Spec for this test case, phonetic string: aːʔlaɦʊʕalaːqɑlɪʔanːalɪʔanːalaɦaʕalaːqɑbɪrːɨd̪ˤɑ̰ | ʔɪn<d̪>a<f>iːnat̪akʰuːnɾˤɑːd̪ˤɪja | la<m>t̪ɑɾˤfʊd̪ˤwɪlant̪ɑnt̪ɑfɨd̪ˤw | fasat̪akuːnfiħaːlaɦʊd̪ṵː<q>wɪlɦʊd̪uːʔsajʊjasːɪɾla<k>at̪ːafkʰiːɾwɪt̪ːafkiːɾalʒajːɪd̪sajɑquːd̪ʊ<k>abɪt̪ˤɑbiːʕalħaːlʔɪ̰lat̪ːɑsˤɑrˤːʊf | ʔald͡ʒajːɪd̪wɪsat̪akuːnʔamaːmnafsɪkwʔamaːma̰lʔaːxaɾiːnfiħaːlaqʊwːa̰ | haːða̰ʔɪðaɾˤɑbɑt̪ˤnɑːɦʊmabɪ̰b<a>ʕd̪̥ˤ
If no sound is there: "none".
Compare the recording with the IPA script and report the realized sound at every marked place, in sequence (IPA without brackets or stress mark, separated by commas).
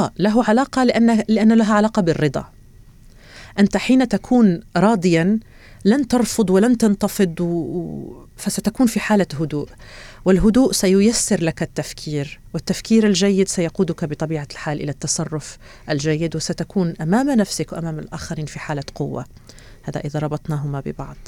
t̪, ħ, n, ʔ, k, k, ɑ